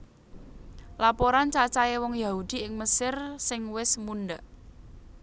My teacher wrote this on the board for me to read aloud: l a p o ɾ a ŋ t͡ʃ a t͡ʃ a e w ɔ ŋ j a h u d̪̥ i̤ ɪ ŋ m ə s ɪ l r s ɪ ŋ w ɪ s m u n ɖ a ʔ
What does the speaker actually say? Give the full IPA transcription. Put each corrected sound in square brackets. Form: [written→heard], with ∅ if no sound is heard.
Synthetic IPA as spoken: l a p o ɾ a [ŋ→n] t͡ʃ a t͡ʃ a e w ɔ ŋ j a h u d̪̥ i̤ ɪ ŋ m ə s ɪ [l→∅] r s ɪ ŋ w ɪ s m u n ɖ a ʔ